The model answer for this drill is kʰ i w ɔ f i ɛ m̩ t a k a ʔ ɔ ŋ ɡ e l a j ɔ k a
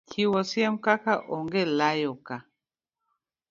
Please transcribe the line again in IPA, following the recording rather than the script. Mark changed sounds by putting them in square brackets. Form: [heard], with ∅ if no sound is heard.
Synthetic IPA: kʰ i w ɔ [s] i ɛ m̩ [k] a k a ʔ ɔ ŋ ɡ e l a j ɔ k a